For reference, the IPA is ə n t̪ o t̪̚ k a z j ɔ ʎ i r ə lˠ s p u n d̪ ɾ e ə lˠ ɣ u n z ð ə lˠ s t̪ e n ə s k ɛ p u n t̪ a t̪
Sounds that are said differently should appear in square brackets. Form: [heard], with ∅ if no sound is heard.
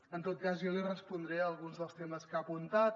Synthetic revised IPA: ə n t̪ o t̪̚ k a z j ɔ [l] i r ə [∅] s p u n d̪ ɾ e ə lˠ ɣ u n z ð ə lˠ s t̪ e [m] ə s k [a] p u n t̪ a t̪